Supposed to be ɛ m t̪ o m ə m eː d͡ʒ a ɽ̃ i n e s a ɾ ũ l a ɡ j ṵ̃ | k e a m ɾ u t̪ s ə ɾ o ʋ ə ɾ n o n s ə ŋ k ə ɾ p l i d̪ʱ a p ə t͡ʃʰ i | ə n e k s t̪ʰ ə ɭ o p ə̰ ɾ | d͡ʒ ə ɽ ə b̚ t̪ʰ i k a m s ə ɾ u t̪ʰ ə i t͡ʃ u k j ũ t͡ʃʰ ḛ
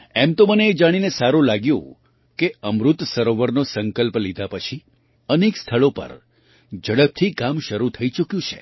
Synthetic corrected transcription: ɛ m t̪ o m ə n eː d͡ʒ a ɽ̃ i n e s a ɾ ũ l a ɡ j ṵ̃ | k e ə m ɾ u t̪ s ə ɾ o ʋ ə ɾ n o s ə ŋ k ə l p l i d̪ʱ a p ə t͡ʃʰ i | ə n e k s t̪ʰ ə ɭ o p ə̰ ɾ | d͡ʒ ə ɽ ə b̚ t̪ʰ i k a m ʃ ə ɾ u t̪ʰ ə i t͡ʃ u k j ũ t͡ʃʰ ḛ

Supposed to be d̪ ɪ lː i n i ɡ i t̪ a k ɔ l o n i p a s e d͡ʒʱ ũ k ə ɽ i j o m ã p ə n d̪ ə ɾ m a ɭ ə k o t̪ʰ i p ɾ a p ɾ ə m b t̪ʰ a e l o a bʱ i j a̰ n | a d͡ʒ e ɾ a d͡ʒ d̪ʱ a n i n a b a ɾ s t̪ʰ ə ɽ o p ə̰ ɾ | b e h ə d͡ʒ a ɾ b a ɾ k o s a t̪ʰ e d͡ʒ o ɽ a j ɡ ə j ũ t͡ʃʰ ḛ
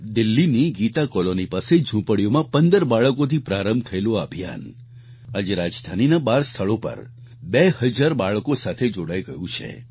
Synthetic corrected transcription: d̪ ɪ lː i n i ɡ i t̪ a k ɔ l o n i p a s e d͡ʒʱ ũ p ə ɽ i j o m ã p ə n d̪ ə ɾ b a ɭ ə k o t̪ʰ i p ɾ a ɾ ə m b t̪ʰ ə e l o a bʱ i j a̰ n | a d͡ʒ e ɾ a d͡ʒ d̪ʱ a n i n a b a ɾ s t̪ʰ ə ɭ o p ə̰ ɾ | b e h ə d͡ʒ a ɾ b a ɭ k o s a t̪ʰ e d͡ʒ o ɽ a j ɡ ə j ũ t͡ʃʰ ḛ

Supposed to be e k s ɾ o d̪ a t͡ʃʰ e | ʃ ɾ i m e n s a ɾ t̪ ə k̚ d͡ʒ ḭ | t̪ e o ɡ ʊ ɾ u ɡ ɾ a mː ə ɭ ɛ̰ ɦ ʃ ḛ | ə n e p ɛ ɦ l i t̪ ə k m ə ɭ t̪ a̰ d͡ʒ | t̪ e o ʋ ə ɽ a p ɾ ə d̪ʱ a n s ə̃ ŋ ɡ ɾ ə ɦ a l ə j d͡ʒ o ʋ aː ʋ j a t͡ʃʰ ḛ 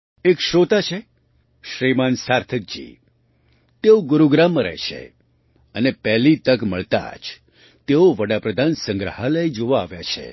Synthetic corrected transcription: e k ʃ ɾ o t̪ a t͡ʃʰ e | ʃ ɾ i m a n s a ɾ t̪ʰ ə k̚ d͡ʒ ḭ | t̪ e o ɡ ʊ ɾ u ɡ ɾ a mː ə ɾ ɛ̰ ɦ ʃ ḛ | ə n e p ɛ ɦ l i t̪ ə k m ə ɭ t̪ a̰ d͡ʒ | t̪ e o ʋ ə ɽ a p ɾ ə d̪ʱ a n s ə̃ ŋ ɡ ɾ ə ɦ a l ə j d͡ʒ o ʋ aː ʋ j a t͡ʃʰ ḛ

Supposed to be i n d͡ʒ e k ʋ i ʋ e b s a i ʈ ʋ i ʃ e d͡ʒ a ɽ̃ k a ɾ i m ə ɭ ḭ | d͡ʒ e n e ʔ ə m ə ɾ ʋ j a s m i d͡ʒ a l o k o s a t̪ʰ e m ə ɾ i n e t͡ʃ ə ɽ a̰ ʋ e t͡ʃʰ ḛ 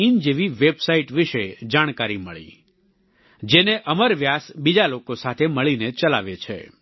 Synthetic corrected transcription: i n d͡ʒ e ʋ i ʋ e b s a i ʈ ʋ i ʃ e d͡ʒ a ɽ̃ k a ɾ i m ə ɭ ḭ | d͡ʒ e n e ʔ ə m ə ɾ ʋ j a s b i d͡ʒ a l o k o s a t̪ʰ e m ə ɭ i n e t͡ʃ ə l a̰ ʋ e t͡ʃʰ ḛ

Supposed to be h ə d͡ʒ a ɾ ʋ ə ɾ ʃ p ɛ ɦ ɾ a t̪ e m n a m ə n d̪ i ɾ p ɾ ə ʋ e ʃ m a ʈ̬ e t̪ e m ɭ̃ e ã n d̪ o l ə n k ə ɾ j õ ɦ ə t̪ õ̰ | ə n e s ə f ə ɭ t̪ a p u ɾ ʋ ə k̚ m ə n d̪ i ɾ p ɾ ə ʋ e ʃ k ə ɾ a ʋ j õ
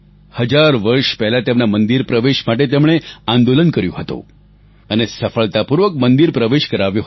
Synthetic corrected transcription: h ə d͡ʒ a ɾ ʋ ə ɾ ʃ p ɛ ɦ l a t̪ e m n a m ə n d̪ i ɾ p ɾ ə ʋ e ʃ m a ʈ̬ e t̪ e m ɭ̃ e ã n d̪ o l ə n k ə ɾ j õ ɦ ə t̪ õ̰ | ə n e s ə f ə ɭ t̪ a p u ɾ ʋ ə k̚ m ə n d̪ i ɾ p ɾ ə ʋ e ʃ k ə ɾ a ʋ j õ

